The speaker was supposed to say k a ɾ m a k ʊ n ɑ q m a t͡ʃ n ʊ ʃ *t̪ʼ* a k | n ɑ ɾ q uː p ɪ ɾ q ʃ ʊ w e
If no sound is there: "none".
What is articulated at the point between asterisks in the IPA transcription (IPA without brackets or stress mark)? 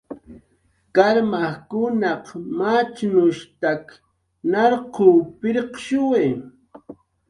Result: t̪